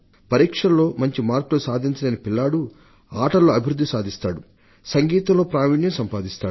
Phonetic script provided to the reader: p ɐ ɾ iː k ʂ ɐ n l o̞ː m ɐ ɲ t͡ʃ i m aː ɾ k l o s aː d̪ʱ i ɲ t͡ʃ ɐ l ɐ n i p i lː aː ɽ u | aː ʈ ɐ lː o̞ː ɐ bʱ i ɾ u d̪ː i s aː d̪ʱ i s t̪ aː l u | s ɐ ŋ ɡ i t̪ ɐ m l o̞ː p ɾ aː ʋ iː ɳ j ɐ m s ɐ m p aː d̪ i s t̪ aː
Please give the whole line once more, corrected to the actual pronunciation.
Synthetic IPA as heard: p ɐ ɾ iː k ʂ ɐ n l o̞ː m ɐ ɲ t͡ʃ i m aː ɾ k l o s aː d̪ʱ i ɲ t͡ʃ ɐ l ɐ n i p i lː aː ɽ u | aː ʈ ɐ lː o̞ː ɐ bʱ i ɾ u d̪ː i s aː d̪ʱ i s t̪ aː ɽ u | s ɐ ŋ ɡ iː t̪ ɐ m l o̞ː p ɾ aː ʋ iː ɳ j ɐ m s ɐ m p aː d̪ i s t̪ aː